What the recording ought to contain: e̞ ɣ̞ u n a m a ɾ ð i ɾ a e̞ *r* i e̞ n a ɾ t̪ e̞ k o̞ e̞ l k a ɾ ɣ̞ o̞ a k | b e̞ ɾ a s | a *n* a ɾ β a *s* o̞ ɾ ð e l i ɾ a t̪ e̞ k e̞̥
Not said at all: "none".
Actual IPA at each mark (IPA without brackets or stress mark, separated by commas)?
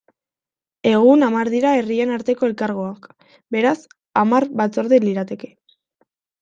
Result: r, m, t͡s